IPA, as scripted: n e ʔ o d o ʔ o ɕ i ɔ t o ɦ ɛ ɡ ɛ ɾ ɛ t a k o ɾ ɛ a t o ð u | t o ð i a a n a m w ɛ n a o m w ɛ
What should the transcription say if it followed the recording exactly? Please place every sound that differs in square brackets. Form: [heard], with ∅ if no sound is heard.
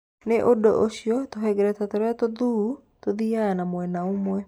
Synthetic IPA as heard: n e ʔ o d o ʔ o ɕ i ɔ t o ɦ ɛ ɡ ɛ ɾ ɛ t a [t] o ɾ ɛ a t o ð u | t o ð i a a n a m w ɛ n a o m w ɛ